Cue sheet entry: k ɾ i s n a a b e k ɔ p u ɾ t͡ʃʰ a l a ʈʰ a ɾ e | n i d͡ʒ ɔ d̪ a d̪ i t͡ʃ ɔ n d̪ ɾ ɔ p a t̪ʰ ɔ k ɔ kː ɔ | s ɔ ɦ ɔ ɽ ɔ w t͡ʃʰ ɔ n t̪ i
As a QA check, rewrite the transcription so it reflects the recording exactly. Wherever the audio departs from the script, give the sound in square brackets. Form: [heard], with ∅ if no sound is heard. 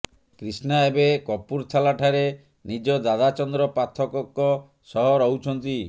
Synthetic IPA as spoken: k ɾ i s n a [e] b e k ɔ p u ɾ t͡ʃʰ a l a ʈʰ a ɾ e | n i d͡ʒ ɔ d̪ a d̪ [a] t͡ʃ ɔ n d̪ ɾ ɔ p a t̪ʰ ɔ k ɔ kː ɔ | s ɔ ɦ ɔ [ɾ] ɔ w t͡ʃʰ ɔ n t̪ i